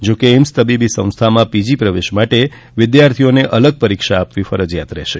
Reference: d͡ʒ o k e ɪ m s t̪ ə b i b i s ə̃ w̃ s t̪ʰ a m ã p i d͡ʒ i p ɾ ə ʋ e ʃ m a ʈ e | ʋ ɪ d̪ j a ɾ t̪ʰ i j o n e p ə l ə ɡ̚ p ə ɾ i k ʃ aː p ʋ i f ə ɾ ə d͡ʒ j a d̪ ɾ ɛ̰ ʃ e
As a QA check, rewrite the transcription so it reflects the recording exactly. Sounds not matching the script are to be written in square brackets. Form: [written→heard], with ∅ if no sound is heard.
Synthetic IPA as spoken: d͡ʒ o k e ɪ m s t̪ ə b i b i s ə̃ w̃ s t̪ʰ a m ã p i d͡ʒ i p ɾ ə ʋ e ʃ m a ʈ e | ʋ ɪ d̪ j a ɾ t̪ʰ i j o n e [p→ʔ] ə l ə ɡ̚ p ə ɾ i k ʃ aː p ʋ i f ə ɾ ə d͡ʒ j a [d̪→t̪] ɾ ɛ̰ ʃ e

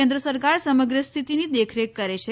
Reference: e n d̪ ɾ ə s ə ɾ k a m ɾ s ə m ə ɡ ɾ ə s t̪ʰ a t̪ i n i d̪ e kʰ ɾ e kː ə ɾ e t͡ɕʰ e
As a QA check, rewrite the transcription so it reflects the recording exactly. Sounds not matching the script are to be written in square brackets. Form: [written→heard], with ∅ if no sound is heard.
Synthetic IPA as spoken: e n d̪ ɾ ə s ə ɾ k a [m→∅] ɾ s ə m ə ɡ ɾ ə s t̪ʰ [a→i] t̪ i n i d̪ e kʰ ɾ e kː ə ɾ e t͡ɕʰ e

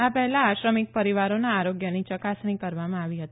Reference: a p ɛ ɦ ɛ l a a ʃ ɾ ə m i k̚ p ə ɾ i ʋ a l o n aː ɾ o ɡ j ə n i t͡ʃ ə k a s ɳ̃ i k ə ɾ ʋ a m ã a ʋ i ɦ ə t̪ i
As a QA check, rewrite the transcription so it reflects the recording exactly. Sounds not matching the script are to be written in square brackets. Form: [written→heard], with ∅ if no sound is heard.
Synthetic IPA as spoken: a p ɛ ɦ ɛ l a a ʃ ɾ ə m i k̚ p ə ɾ i ʋ a [l→ɾ] o n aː ɾ o ɡ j ə n i t͡ʃ ə k a s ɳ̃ i k ə ɾ ʋ a m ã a ʋ i ɦ ə t̪ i

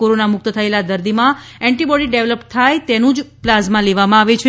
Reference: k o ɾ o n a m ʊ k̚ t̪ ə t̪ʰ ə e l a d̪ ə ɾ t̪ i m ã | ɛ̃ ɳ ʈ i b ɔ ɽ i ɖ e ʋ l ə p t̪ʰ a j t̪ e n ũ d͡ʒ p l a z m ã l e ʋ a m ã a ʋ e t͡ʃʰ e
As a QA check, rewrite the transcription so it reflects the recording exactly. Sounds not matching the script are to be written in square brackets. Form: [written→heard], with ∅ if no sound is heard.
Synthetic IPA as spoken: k o ɾ o n a m ʊ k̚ t̪ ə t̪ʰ ə e l a d̪ ə ɾ [t̪→d̪] i m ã | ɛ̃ ɳ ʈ i b ɔ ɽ i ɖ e ʋ l ə p t̪ʰ a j t̪ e n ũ d͡ʒ p l a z m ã l e ʋ a m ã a ʋ e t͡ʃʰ e

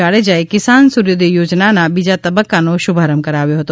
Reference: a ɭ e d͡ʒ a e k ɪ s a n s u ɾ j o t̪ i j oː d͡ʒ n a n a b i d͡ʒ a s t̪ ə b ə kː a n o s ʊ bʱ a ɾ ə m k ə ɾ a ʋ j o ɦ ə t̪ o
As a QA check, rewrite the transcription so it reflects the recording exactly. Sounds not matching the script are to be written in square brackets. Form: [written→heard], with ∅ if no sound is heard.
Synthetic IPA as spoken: a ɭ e d͡ʒ a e k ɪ s a n s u ɾ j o [t̪→d̪] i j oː d͡ʒ n a n a b i d͡ʒ a [s→∅] t̪ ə b ə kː a n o [s→ʃ] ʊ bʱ a ɾ ə m k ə ɾ a ʋ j o ɦ ə t̪ o

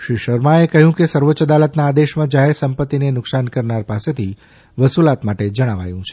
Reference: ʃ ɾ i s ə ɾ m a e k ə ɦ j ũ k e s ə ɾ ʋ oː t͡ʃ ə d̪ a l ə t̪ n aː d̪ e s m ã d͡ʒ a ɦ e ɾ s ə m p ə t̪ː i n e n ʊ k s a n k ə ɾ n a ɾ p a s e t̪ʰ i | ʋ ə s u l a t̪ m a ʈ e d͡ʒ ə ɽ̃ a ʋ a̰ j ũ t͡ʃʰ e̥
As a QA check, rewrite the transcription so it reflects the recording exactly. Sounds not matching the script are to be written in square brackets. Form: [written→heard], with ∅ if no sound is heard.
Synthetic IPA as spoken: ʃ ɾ i [s→ʃ] ə ɾ m a e k ə ɦ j ũ k e s ə ɾ ʋ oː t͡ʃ ə d̪ a l ə t̪ n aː d̪ e [s→ʃ] m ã d͡ʒ a ɦ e ɾ s ə m p ə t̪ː i n e n ʊ k s a n k ə ɾ n a ɾ p a s e t̪ʰ i | ʋ ə s u l a t̪ m a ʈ e d͡ʒ ə ɽ̃ a ʋ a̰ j ũ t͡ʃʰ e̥

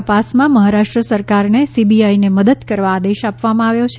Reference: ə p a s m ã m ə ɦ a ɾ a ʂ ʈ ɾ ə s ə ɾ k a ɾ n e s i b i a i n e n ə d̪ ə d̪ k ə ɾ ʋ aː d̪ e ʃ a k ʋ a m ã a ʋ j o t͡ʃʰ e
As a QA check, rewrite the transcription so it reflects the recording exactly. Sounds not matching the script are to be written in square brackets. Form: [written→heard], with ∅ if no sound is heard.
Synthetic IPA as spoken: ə p a s m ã m ə ɦ a ɾ a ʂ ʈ ɾ ə s ə ɾ k a ɾ n e s i b i a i n e [n→m] ə d̪ ə d̪ k ə ɾ ʋ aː d̪ e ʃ a [k→p] ʋ a m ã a ʋ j o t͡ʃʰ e

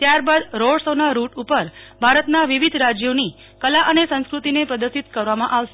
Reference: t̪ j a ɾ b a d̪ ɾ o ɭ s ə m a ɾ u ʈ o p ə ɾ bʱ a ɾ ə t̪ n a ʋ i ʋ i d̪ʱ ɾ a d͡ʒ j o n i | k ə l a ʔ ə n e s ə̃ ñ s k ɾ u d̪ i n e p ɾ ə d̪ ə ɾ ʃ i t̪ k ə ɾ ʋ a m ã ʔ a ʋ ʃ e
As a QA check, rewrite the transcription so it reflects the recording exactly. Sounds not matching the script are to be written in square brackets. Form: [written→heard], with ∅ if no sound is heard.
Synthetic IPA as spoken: t̪ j a ɾ b a d̪ ɾ o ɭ s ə [m→n] a ɾ u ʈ [o→u] p ə ɾ bʱ a ɾ ə t̪ n a ʋ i ʋ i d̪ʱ ɾ a d͡ʒ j o n i | k ə l a ʔ ə n e s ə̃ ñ s k ɾ u [d̪→t̪] i n e p ɾ ə d̪ ə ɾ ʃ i t̪ k ə ɾ ʋ a m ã ʔ a ʋ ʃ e

